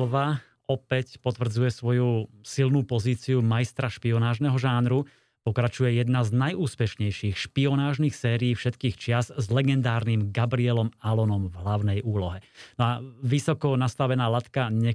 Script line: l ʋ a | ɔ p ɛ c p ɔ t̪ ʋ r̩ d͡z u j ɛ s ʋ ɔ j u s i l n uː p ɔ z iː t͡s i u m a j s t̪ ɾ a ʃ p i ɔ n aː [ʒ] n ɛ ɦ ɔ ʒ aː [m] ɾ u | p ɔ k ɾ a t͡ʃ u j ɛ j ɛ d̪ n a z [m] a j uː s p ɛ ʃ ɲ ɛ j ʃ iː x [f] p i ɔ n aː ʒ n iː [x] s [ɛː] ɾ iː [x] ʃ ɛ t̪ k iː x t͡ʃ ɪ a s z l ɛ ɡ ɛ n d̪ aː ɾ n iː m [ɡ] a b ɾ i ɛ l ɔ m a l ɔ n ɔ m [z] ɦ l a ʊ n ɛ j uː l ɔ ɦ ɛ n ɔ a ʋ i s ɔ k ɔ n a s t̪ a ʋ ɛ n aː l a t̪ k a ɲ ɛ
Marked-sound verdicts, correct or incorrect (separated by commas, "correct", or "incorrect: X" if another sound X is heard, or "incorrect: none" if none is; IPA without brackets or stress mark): correct, incorrect: n, incorrect: n, incorrect: ʃ, correct, correct, incorrect: f, correct, incorrect: v